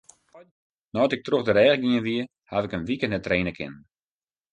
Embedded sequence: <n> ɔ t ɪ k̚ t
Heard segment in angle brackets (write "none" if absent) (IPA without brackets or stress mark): n